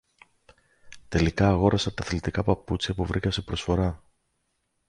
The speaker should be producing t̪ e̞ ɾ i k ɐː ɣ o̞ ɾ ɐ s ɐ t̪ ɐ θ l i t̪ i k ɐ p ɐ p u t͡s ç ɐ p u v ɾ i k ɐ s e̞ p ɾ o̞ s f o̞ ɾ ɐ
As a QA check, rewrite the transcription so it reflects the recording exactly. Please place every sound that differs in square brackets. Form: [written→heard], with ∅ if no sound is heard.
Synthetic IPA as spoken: t̪ e̞ [ɾ→l] i k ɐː ɣ o̞ ɾ ɐ s ɐ t̪ ɐ θ l i t̪ i k ɐ p ɐ p u t͡s ç ɐ p u v ɾ i k ɐ s e̞ p ɾ o̞ s f o̞ ɾ ɐ